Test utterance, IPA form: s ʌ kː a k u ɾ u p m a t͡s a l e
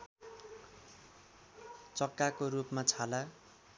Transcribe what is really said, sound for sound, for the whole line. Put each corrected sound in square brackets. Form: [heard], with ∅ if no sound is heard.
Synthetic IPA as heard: [t͡s] ʌ kː a k [o] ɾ u p m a [t͡sʰ] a l [a]